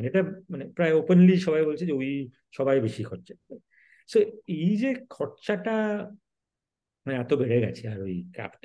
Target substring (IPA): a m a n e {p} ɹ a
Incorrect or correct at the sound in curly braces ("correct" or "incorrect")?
correct